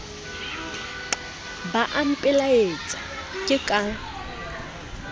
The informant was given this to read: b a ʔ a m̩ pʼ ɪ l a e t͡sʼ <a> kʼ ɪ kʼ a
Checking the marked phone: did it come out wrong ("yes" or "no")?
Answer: no